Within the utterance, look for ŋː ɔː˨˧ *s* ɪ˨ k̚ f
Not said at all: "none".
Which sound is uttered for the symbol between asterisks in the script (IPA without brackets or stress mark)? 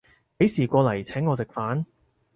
t͡s